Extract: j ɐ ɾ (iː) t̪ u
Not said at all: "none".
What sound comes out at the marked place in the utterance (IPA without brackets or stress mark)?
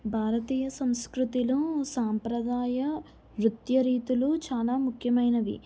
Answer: iː